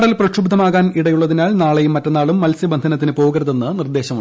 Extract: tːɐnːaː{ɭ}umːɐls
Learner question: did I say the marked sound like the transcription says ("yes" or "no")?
yes